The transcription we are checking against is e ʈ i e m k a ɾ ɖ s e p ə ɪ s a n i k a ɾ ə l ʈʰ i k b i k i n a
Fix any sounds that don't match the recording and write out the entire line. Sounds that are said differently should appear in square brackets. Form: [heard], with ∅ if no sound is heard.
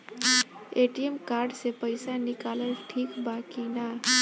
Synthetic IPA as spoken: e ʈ i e m k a ɾ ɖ s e p ə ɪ s a n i k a [l] ə l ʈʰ i k b [a] k i n a